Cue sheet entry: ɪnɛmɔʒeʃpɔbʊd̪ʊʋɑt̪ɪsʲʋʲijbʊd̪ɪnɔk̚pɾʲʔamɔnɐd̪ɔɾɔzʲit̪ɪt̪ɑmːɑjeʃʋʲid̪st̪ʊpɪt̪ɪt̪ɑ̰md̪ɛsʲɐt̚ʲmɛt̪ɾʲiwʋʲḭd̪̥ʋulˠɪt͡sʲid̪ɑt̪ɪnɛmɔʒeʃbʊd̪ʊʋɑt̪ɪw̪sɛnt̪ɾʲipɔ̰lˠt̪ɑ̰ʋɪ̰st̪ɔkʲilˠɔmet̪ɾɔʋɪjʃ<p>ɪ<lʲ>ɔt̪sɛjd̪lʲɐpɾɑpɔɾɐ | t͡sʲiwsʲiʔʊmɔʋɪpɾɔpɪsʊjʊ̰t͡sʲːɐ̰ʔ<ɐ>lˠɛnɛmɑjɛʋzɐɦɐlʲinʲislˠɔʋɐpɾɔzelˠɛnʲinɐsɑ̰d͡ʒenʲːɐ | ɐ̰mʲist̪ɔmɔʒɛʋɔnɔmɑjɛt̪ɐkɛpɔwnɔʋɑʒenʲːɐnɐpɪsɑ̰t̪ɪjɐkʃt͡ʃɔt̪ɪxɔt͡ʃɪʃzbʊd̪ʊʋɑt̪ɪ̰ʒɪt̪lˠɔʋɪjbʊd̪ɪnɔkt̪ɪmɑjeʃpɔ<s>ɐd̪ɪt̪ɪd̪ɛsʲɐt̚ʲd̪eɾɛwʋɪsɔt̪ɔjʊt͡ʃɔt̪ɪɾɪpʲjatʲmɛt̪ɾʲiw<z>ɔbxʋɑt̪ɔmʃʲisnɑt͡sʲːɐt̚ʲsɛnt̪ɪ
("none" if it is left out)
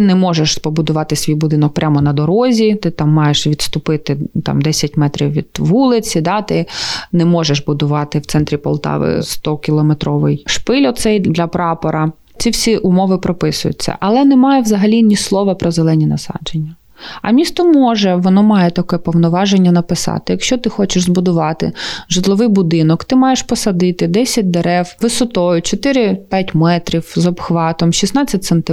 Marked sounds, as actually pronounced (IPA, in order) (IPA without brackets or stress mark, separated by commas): p, lʲ, ɐ, s, z